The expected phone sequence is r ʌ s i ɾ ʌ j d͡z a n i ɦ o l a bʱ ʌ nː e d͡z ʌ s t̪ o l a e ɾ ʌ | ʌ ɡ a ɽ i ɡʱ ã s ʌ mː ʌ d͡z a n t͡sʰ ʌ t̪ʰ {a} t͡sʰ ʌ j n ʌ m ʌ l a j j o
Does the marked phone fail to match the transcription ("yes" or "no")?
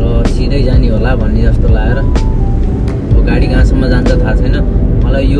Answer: no